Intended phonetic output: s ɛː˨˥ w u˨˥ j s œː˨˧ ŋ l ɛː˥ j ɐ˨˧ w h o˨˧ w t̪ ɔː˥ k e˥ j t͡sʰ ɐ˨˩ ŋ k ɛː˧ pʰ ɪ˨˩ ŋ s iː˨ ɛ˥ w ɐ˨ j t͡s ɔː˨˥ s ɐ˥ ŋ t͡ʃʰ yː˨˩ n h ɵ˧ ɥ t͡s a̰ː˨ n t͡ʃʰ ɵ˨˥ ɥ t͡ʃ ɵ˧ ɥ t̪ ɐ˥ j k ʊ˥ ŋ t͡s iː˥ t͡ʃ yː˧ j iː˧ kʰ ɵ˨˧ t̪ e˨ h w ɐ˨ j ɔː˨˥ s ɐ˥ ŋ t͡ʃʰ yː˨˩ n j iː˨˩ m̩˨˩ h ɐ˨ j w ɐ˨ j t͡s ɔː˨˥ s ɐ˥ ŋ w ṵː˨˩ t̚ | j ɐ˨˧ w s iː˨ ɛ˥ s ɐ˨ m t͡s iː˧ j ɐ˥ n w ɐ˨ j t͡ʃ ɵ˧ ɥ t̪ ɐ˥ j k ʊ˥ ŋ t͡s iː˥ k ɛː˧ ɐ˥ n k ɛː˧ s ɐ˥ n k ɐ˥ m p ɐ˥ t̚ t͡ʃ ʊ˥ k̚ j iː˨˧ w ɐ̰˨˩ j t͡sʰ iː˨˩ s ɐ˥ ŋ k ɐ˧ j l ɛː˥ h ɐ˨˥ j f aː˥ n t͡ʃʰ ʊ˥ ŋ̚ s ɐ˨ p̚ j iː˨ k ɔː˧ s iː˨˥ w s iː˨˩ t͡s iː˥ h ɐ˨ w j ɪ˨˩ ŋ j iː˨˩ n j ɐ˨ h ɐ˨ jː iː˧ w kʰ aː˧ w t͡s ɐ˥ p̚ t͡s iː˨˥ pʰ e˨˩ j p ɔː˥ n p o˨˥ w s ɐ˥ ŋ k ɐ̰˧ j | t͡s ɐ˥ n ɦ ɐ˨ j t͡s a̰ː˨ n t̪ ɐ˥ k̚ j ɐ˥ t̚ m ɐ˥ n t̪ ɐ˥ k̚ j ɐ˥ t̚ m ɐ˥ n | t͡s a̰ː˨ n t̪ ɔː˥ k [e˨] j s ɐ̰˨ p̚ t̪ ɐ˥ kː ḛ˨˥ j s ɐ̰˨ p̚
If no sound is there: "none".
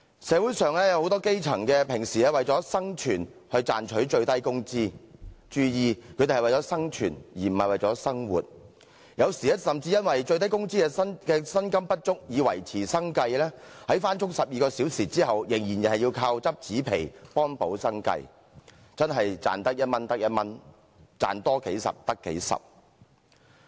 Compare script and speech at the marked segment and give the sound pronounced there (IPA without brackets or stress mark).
e˨˥